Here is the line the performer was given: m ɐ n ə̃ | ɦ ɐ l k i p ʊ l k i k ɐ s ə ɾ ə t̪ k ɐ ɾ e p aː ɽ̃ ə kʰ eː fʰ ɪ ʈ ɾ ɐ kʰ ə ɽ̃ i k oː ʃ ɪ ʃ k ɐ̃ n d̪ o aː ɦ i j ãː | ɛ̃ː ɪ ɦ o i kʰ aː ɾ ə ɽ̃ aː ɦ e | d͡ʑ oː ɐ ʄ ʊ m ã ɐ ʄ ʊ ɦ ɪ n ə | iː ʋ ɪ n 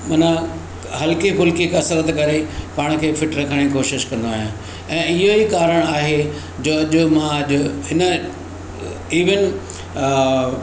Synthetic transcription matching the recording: m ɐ n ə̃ | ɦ ɐ l k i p ʊ l k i k ɐ s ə ɾ ə t̪ k ɐ ɾ e p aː ɽ̃ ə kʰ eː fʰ ɪ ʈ ɾ ɐ kʰ ə ɽ̃ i k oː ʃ ɪ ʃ k ɐ̃ n d̪ o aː ɦ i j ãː | ɛ̃ː ɪ ɦ o i k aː ɾ ə ɽ̃ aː ɦ e | d͡ʑ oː ɐ ʄ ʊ m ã ɐ ʄ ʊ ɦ ɪ n ə | iː ʋ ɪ n